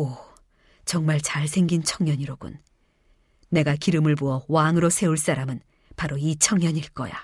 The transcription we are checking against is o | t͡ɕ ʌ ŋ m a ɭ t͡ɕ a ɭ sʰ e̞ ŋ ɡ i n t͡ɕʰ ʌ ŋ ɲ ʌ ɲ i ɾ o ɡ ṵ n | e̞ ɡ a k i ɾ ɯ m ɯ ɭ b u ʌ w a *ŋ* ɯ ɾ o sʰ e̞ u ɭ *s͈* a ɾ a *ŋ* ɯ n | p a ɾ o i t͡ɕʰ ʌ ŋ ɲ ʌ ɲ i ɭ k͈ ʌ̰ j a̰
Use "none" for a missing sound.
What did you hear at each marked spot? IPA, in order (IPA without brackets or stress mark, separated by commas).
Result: ŋ, s͈, m